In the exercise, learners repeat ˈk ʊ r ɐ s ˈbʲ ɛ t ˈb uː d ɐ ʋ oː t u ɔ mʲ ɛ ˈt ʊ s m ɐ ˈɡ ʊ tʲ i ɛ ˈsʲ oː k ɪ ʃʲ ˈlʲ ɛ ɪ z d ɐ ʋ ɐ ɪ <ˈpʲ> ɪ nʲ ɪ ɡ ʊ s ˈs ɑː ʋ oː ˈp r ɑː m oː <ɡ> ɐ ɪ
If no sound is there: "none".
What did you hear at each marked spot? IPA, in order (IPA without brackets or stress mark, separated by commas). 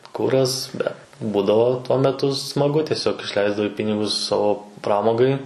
pʲ, ɡ